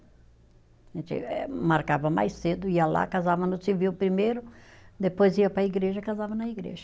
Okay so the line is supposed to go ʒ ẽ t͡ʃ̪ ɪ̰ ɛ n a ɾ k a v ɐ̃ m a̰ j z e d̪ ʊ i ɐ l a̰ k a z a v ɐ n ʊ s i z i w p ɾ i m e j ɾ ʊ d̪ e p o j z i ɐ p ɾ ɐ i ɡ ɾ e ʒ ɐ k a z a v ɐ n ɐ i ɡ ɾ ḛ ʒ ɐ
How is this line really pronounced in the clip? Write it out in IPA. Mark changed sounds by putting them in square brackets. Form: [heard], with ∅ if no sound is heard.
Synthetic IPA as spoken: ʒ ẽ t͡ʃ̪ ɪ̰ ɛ [m] a ɾ k a v [ɐ] m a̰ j [s] e d̪ ʊ i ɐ l a̰ k a z a v ɐ n ʊ s i [v] i w p ɾ i m e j ɾ ʊ d̪ e p o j z i ɐ p ɾ ɐ i ɡ ɾ e ʒ ɐ k a z a v ɐ n ɐ i ɡ ɾ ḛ ʒ ɐ